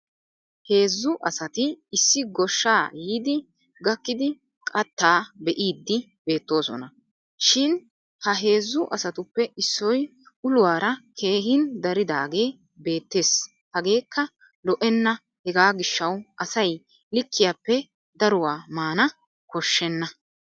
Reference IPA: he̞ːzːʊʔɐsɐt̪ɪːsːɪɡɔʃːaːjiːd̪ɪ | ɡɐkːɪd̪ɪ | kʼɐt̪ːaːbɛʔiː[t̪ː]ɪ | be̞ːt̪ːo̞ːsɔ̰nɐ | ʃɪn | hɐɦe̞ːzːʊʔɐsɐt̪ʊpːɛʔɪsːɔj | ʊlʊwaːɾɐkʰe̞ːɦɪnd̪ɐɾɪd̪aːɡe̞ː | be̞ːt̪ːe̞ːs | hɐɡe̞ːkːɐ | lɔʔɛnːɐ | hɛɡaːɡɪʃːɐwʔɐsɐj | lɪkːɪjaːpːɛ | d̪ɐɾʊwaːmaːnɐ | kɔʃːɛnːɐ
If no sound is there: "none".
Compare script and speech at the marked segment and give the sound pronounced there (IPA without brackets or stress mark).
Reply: d̪ː